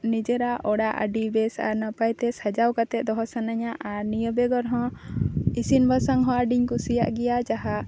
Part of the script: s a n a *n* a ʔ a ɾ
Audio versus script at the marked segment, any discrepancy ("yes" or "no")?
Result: yes